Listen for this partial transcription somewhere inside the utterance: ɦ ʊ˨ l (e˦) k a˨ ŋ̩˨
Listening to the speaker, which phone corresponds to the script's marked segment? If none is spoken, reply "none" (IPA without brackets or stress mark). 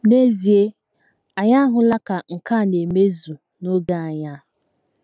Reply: a˦